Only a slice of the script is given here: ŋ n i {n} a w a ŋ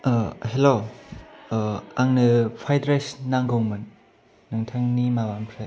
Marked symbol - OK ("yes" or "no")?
no